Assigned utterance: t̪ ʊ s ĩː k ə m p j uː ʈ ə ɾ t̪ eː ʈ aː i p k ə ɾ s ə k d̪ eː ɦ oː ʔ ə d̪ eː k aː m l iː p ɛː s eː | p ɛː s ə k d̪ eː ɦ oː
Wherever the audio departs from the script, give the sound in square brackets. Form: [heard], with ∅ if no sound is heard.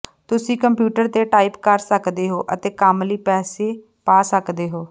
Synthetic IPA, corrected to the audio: t̪ ʊ s ĩː k ə m p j uː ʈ ə ɾ t̪ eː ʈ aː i p k ə ɾ s ə k d̪ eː ɦ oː ʔ ə [t̪] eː k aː m l iː p ɛː s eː | p [aː] s ə k d̪ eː ɦ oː